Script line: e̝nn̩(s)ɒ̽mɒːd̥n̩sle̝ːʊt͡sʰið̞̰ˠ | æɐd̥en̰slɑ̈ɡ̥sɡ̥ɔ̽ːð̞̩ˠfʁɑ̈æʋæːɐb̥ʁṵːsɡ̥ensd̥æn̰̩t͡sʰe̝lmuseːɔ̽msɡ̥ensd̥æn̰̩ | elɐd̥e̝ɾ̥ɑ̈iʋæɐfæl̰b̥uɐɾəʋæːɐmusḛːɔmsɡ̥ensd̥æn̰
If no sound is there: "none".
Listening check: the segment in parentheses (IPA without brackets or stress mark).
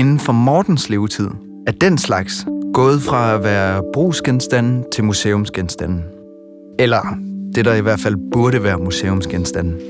f